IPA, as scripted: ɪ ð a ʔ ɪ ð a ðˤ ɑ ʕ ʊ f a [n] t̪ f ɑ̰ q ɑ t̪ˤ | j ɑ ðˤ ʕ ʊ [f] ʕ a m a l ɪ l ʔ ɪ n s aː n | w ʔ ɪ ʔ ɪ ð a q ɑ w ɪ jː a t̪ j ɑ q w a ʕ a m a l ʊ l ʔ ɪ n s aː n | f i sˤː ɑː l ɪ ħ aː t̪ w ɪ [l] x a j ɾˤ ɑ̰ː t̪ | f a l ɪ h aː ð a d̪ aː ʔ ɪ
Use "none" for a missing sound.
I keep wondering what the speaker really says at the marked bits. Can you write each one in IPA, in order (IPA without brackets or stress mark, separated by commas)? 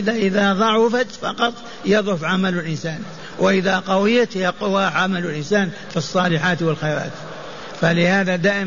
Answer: none, f, l